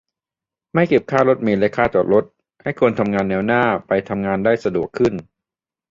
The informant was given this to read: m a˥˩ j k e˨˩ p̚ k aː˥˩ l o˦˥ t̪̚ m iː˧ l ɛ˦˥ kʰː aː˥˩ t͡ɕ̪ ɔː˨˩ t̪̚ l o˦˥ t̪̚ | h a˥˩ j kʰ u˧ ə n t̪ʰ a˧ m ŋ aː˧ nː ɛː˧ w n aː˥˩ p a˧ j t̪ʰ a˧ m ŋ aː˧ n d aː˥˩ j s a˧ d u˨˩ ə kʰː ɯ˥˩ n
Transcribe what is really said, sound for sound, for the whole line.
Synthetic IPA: m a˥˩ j k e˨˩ p̚ kʰ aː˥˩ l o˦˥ t̪̚ m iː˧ l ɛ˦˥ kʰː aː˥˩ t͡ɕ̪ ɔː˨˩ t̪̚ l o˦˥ t̪̚ | h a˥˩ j kʰ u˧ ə n t̪ʰ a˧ m ŋ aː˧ nː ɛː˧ w n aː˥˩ p a˧ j t̪ʰ a˧ m ŋ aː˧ n d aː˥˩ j s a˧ d u˨˩ ə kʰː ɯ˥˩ n